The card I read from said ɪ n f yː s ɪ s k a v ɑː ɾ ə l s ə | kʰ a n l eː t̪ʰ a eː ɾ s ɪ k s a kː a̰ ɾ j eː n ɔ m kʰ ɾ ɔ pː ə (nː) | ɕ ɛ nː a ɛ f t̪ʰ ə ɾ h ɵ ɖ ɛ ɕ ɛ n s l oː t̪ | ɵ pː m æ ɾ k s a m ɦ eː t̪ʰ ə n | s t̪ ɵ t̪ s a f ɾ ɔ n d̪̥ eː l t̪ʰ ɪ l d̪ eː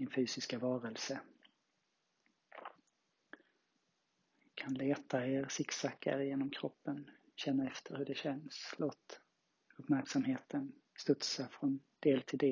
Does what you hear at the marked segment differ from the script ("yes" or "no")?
yes